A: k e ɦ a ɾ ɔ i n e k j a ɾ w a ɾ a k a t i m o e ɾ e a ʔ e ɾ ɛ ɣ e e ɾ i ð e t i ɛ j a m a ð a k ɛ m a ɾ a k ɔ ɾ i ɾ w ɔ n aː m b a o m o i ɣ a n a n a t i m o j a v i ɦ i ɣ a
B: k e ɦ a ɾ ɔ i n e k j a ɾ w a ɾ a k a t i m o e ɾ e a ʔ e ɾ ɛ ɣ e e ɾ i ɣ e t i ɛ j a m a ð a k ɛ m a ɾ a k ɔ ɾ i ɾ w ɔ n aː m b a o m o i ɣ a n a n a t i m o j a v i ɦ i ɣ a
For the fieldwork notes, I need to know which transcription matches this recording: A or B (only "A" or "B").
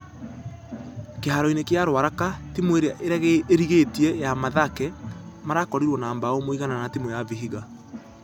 B